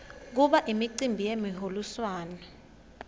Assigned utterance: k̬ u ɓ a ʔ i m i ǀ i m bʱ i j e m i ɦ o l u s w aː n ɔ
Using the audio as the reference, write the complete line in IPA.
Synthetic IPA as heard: k̬ u ɓ a ʔ i m i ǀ i m bʱ i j e m i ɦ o l u s w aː n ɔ